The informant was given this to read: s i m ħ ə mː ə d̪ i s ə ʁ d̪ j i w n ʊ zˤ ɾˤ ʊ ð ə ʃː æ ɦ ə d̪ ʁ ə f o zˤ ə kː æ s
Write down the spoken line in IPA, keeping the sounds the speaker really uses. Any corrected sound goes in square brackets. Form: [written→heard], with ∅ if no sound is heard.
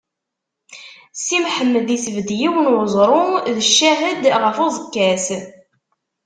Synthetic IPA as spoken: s i m ħ ə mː ə d̪ i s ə [ʁ→v] d̪ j i w n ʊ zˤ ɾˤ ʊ ð ə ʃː æ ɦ ə d̪ ʁ ə f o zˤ ə kː æ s

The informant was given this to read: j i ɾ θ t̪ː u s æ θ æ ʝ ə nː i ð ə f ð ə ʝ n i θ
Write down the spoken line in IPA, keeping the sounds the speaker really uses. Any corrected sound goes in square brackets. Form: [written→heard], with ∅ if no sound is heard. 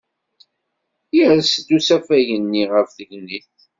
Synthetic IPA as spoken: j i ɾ [θ→s] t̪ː u s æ [θ→f] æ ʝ ə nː i [ð→ʁ] ə f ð ə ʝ n i θ

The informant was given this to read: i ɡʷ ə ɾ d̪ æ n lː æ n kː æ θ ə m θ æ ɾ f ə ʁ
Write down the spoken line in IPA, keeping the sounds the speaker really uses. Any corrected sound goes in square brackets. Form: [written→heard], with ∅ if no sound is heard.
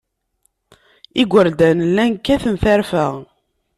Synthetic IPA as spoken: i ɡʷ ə ɾ d̪ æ n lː æ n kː æ θ ə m θ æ ɾ f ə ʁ

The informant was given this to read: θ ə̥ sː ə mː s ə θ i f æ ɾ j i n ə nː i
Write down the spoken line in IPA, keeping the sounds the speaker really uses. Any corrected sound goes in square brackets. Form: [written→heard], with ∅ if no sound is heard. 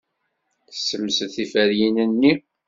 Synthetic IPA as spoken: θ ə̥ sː ə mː s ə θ i f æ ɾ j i n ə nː i

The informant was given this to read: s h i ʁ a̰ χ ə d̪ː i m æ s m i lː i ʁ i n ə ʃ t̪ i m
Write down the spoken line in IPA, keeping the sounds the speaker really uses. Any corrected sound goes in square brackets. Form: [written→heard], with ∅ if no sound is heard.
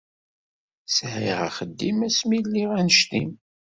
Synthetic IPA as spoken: s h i ʁ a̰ χ ə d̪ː i m æ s m i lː i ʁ [i→æ] n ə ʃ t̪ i m

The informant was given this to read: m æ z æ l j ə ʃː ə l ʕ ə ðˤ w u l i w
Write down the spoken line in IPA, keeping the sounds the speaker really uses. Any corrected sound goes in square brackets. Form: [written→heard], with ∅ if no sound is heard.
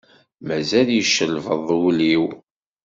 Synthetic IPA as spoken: m æ z æ l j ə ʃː ə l [ʕ→v] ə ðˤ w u l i w

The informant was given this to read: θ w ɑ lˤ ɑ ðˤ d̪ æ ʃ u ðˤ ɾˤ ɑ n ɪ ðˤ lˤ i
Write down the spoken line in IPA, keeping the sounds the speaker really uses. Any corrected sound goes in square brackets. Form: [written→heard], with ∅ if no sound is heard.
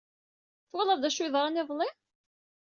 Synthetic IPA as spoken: θ w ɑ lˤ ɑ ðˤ d̪ æ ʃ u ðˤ ɾˤ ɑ n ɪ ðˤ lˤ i

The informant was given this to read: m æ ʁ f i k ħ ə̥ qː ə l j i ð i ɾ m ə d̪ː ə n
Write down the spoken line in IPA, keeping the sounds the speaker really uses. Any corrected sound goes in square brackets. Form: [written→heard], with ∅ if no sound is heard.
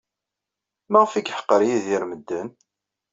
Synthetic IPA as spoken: m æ ʁ f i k ħ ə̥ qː ə [l→ɾ] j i ð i ɾ m ə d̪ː ə n

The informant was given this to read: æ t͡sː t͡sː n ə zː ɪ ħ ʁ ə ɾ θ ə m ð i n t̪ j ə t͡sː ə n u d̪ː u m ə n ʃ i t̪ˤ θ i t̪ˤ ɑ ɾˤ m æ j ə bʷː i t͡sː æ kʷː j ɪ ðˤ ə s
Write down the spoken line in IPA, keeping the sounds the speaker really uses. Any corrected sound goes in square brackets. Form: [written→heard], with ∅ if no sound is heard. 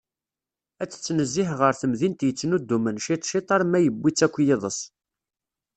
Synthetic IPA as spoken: æ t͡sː t͡sː n ə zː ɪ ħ ʁ ə ɾ θ ə m ð i n t̪ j ə t͡sː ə n u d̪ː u m ə n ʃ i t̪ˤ [θ→ʃ] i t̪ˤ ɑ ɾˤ m æ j ə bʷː i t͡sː æ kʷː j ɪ ðˤ ə s

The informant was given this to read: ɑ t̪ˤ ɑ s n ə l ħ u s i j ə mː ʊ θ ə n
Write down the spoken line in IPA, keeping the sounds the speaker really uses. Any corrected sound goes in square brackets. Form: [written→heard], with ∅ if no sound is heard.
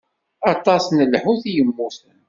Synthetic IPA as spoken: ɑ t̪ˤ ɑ s n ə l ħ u [s→θ] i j ə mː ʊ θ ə n

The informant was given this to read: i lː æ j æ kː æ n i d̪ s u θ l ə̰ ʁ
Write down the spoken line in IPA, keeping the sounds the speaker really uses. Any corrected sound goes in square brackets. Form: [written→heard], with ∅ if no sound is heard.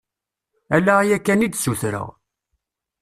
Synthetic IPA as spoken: [i→æ] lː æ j æ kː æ n i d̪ s u θ [l→ɾ] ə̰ ʁ

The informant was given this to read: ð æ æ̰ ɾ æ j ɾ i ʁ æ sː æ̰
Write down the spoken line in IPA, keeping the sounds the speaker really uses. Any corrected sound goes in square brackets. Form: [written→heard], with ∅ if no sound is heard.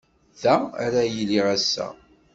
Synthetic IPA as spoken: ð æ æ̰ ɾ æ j [ɾ→l] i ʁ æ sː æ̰

